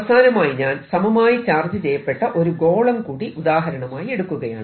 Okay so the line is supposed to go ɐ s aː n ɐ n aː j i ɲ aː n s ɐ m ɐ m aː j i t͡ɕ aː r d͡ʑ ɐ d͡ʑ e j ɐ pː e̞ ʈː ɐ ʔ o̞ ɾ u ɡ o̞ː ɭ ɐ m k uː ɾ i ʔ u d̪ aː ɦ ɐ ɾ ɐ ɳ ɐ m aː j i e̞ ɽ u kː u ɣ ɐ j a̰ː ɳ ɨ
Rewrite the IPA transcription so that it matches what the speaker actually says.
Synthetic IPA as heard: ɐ s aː n ɐ m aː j i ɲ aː n s ɐ m ɐ m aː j i t͡ɕ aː r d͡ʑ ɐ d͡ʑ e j ɐ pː e̞ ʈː ɐ ʔ o̞ ɾ u ɡ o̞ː ɭ ɐ m k uː ɽ i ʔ u d̪ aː ɦ ɐ ɾ ɐ ɳ ɐ m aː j i e̞ ɽ u kː u ɣ ɐ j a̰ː ɳ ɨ